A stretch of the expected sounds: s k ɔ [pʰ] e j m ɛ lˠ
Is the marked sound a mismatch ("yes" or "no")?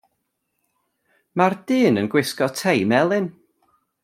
yes